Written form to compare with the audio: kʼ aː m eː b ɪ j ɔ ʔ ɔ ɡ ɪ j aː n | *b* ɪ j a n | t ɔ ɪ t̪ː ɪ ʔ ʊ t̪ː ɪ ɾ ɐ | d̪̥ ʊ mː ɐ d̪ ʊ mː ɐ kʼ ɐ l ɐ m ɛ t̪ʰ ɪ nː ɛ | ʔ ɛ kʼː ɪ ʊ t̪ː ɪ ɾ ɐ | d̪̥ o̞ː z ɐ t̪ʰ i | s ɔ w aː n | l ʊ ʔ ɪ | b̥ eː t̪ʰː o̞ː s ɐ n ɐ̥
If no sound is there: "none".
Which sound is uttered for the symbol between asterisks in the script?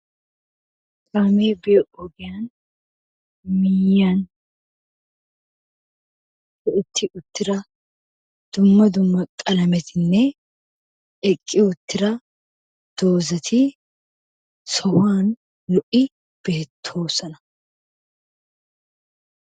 m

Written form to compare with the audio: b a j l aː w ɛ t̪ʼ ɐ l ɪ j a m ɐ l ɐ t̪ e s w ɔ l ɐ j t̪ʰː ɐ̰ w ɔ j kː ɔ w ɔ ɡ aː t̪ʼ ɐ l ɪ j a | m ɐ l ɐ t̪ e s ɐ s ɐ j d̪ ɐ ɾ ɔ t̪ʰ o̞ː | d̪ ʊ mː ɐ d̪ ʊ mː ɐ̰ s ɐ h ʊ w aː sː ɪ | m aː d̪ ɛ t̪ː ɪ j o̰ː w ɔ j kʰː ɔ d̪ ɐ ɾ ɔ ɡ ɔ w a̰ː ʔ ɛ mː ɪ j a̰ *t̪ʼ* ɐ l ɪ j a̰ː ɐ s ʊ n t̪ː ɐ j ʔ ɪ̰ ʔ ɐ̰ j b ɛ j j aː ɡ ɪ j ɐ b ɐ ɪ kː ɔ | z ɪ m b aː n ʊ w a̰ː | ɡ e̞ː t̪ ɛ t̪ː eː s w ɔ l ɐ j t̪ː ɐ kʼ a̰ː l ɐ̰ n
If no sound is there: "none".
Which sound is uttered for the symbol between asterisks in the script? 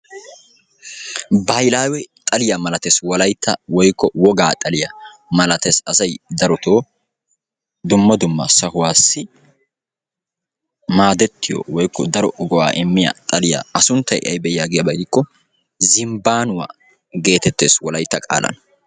t̪ʼ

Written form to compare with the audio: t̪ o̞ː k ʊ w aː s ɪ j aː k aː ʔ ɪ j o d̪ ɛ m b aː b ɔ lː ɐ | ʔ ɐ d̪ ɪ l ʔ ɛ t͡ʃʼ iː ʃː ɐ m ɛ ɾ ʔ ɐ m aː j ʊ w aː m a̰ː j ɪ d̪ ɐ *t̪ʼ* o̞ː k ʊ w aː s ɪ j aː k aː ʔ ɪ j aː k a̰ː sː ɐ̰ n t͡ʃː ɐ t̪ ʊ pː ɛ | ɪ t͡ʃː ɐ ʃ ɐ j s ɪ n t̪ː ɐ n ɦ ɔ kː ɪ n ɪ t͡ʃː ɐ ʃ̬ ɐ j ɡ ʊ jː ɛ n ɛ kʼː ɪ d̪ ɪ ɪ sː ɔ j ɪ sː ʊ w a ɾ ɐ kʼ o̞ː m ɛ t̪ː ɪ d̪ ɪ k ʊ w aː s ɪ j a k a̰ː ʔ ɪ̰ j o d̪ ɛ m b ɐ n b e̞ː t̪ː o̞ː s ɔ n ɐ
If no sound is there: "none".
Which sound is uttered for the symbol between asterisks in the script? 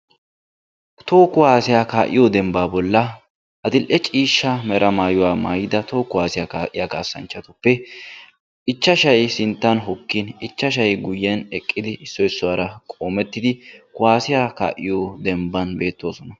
t̪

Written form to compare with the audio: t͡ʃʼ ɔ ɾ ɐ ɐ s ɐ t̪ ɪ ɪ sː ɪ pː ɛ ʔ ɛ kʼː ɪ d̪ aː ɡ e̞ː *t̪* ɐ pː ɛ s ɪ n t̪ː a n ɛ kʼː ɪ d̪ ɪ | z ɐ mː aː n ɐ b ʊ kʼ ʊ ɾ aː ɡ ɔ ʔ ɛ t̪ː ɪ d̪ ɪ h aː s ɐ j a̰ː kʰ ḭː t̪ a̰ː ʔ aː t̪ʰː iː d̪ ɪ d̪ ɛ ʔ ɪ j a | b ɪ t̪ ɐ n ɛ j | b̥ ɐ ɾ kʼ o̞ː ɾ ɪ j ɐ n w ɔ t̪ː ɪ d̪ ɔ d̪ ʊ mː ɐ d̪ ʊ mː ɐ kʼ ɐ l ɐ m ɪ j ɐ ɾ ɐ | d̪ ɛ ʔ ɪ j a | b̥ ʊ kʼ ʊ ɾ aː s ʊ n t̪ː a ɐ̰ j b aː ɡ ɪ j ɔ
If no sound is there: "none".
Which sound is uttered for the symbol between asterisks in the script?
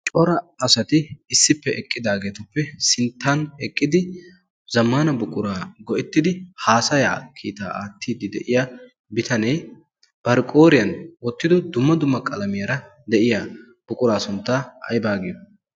t̪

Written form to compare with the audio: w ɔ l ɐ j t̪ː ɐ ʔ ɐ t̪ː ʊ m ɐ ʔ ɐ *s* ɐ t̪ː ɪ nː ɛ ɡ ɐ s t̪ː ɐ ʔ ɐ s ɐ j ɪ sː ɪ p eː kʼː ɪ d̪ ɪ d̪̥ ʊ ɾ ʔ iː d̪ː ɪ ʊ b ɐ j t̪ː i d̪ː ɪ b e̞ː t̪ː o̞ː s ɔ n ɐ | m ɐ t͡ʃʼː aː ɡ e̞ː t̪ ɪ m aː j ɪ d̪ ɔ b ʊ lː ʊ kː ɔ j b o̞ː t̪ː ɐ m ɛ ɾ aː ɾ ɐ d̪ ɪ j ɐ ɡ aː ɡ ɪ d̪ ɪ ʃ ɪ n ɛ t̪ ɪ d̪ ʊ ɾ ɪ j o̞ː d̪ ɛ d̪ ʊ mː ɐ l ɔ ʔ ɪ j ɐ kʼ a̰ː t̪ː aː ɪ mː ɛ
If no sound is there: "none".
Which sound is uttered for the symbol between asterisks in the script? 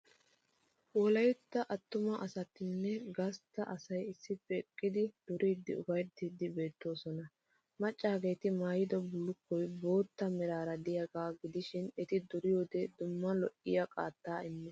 s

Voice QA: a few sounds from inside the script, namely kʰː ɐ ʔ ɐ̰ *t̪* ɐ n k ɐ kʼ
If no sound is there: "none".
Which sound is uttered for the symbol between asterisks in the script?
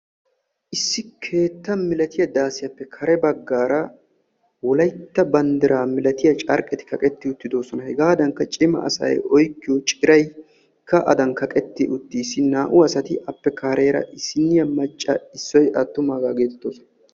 d̪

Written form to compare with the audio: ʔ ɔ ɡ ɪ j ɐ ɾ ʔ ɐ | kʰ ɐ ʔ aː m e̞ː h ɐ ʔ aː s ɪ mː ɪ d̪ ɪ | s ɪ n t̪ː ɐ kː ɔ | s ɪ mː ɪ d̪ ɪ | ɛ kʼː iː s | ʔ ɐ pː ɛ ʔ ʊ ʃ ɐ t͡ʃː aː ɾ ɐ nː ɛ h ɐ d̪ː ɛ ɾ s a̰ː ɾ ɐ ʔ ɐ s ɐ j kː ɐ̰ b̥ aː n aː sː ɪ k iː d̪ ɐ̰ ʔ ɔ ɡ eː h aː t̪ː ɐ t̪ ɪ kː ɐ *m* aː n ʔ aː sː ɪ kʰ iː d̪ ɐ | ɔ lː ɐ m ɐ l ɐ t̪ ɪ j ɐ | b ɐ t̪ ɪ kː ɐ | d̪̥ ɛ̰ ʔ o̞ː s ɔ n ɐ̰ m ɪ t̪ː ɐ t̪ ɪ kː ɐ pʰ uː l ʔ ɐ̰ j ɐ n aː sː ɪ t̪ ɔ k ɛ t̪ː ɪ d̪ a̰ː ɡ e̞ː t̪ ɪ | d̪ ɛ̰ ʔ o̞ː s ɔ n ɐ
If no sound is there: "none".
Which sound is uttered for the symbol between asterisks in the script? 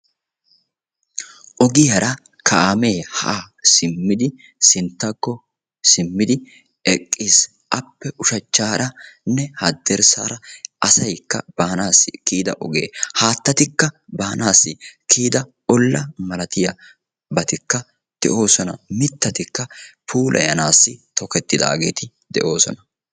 b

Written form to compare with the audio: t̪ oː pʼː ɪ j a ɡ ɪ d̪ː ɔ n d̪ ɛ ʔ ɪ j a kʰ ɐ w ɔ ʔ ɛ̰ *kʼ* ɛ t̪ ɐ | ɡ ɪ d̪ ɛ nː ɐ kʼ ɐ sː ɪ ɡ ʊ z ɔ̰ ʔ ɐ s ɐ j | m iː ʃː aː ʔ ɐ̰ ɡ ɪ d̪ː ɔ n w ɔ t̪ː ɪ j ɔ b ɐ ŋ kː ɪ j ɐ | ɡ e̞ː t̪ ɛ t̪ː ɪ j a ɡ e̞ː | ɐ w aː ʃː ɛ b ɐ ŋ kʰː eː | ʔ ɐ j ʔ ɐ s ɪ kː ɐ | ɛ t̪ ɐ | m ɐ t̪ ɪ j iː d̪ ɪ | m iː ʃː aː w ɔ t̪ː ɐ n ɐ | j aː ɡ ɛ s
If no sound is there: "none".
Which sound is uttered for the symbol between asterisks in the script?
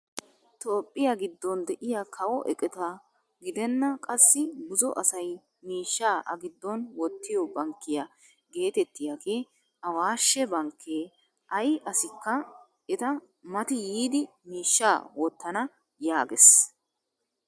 kʼ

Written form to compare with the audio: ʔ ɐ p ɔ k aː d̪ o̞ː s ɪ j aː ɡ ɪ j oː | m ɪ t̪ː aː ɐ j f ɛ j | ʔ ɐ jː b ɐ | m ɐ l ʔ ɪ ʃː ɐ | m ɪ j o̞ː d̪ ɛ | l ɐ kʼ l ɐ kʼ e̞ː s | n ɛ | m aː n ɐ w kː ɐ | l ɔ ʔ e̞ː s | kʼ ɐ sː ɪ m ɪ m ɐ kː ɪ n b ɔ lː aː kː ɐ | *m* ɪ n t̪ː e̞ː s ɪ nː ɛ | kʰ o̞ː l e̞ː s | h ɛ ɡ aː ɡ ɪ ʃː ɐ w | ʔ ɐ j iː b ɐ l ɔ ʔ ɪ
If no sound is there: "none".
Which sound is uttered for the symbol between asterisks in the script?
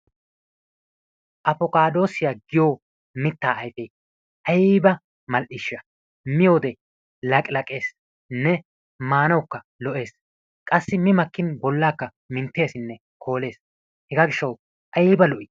m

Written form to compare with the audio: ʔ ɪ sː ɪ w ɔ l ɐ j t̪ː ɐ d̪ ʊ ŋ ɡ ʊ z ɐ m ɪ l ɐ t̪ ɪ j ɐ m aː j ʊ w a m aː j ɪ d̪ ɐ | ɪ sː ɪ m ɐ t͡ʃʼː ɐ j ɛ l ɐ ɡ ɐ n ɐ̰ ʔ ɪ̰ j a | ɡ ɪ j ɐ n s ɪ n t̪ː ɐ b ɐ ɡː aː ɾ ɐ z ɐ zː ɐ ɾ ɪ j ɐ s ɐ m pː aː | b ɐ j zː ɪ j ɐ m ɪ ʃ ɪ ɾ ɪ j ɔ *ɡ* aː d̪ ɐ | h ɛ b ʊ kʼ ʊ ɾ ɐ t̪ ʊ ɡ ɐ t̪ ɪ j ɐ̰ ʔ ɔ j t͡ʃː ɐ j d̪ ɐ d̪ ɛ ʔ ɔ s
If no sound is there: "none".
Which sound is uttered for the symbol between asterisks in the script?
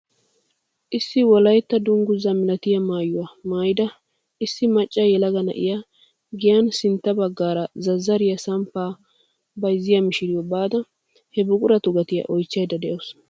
b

